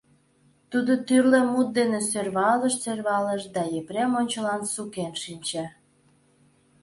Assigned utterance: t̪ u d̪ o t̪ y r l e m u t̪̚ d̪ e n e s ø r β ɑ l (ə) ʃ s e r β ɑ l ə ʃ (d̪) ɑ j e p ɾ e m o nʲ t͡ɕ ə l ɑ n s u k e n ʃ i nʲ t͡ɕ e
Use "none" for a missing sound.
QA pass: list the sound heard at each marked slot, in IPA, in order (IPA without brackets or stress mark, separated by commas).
ə, d̪